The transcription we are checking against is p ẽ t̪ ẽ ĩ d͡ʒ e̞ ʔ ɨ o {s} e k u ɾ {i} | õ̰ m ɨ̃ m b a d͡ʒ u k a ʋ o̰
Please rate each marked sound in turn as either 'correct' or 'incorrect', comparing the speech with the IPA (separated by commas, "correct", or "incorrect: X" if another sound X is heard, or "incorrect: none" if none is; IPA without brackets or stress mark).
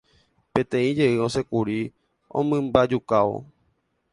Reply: correct, correct